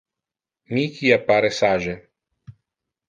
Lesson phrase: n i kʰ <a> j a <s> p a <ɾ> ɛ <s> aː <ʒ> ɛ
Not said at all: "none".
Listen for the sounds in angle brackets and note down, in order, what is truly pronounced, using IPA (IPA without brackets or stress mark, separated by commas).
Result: i, none, ɾ, s, ʒ